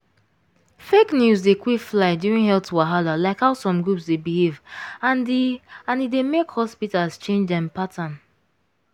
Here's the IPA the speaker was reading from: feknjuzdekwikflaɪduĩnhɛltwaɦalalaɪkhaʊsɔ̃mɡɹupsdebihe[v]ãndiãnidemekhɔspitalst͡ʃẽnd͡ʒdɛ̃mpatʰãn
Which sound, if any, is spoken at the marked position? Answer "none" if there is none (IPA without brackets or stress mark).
v